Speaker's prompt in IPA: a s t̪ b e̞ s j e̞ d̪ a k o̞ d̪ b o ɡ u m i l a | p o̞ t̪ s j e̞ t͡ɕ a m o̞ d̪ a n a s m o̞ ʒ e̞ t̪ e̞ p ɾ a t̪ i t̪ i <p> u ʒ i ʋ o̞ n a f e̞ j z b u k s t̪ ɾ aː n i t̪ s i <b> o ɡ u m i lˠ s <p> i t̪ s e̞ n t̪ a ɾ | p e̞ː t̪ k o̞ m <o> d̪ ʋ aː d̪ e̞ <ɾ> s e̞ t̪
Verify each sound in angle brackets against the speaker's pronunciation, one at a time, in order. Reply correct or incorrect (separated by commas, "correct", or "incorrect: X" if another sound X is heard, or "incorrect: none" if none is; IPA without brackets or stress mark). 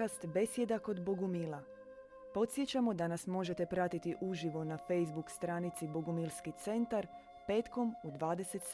incorrect: ʔ, correct, incorrect: k, incorrect: u, incorrect: none